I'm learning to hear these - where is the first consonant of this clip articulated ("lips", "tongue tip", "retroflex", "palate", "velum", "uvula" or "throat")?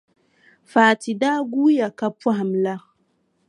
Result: lips